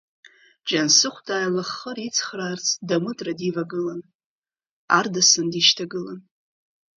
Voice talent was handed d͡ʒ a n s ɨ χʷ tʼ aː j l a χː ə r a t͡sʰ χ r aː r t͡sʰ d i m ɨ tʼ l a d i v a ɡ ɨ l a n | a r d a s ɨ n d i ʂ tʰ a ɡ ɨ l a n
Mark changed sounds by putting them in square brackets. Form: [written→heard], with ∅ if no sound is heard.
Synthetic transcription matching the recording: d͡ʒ a n s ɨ χʷ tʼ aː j l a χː ə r [a→i] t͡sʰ χ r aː r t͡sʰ d [i→a] m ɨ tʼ [l→r] a d i v a ɡ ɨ l a n | a r d a s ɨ n d i [ʂ→ʃ] tʰ a ɡ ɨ l a n